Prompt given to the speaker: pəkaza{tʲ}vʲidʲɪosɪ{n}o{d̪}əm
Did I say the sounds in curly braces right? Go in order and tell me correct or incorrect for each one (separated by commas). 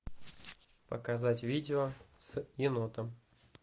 correct, correct, incorrect